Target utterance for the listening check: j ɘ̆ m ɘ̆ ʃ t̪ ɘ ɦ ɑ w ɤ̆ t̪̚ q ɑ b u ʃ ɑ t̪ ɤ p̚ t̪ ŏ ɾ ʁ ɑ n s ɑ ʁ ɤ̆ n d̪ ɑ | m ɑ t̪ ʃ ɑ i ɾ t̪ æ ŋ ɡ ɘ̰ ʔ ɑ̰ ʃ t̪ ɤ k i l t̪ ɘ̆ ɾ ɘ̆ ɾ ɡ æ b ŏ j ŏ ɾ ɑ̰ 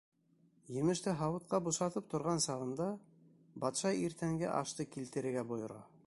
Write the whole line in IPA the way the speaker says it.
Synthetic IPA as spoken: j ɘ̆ m ɘ̆ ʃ t̪ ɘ ɦ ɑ w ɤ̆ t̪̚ q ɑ b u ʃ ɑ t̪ ɤ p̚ t̪ ŏ ɾ ʁ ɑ n s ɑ ʁ ɤ̆ n d̪ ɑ | b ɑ t̪ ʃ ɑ i ɾ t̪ æ ŋ ɡ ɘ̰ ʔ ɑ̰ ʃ t̪ ɤ k i l t̪ ɘ̆ ɾ ɘ̆ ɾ ɡ æ b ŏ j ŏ ɾ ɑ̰